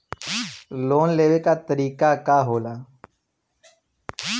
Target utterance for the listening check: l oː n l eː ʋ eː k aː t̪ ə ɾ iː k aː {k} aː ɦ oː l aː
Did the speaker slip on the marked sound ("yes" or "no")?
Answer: no